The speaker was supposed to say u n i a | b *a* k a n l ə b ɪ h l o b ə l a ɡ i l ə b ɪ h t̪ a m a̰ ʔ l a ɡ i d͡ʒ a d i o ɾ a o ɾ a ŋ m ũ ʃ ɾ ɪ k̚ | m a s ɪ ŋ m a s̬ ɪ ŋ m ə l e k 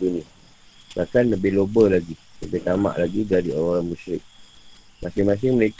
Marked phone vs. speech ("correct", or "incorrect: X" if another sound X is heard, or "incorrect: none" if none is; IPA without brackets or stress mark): correct